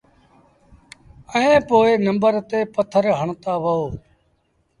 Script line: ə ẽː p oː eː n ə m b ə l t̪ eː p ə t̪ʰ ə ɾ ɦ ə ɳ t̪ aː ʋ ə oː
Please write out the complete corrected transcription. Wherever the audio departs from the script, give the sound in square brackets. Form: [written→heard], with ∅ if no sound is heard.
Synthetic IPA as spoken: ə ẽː p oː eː n ə m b ə [l→ɾ] t̪ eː p ə t̪ʰ ə ɾ ɦ ə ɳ t̪ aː ʋ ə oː